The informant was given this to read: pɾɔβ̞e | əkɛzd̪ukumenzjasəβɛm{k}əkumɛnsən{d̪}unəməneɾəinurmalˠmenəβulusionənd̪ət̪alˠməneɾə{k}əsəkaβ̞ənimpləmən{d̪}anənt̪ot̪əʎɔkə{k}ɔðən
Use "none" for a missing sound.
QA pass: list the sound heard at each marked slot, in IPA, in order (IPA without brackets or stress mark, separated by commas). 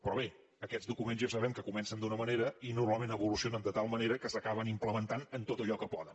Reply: k, d̪, k, t̪, p